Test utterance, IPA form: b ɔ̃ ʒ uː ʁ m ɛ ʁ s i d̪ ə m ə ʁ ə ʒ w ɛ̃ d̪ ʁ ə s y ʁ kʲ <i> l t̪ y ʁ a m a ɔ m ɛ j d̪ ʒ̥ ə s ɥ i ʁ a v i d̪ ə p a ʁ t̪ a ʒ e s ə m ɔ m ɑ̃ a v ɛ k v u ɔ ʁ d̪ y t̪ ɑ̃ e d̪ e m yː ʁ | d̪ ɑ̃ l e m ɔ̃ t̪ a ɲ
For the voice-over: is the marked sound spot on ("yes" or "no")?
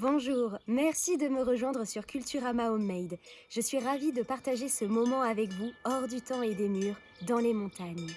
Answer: no